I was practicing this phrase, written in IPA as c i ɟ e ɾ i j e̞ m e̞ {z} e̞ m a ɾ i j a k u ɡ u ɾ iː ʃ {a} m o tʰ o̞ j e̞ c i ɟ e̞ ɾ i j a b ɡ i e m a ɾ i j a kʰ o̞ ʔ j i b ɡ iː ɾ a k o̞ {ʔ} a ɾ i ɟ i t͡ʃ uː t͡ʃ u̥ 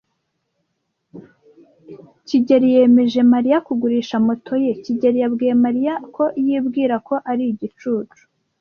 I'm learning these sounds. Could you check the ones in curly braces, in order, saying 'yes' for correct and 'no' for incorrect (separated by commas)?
no, yes, yes